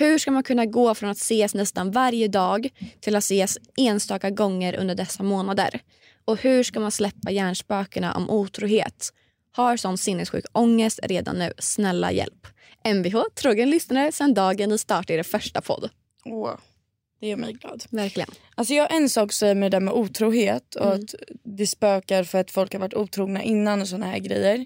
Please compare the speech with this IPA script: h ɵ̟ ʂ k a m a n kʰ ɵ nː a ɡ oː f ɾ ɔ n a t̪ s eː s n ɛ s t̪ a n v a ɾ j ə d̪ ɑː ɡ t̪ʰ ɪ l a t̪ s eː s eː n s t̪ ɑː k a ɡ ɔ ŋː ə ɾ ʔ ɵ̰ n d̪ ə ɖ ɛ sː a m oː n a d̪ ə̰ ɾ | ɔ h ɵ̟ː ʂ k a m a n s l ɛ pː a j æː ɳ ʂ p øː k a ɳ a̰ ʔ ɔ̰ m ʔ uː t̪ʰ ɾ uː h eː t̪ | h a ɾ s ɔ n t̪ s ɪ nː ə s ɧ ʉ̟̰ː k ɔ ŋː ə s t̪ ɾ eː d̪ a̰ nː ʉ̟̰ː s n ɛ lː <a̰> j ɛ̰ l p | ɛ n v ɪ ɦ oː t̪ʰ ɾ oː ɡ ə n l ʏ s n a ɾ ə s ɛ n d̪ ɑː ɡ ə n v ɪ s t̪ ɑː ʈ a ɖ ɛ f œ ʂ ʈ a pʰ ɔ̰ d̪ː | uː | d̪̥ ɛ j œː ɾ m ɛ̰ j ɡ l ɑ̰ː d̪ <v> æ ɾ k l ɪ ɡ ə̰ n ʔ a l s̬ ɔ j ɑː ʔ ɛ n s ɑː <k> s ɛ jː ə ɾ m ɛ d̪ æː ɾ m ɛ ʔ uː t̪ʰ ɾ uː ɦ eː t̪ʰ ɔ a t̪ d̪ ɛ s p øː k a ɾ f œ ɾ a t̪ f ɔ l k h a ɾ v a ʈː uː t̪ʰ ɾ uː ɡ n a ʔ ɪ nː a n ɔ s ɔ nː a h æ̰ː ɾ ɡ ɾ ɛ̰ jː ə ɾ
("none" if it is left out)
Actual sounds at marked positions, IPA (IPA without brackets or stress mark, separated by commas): a̰, v, k